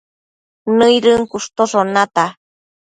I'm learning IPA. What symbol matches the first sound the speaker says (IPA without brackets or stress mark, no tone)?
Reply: n